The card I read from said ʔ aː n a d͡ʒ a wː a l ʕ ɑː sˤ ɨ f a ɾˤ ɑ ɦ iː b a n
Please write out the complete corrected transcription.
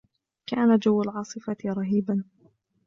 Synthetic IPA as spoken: k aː n a d͡ʒ a wː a l ʕ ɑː sˤ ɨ f a ɾˤ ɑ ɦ iː b a n